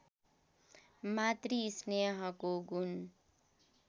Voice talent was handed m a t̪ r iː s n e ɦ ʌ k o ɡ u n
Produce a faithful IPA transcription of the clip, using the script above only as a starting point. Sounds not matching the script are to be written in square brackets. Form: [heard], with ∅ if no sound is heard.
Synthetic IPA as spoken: m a t̪ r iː s n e ɦ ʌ k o ɡ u n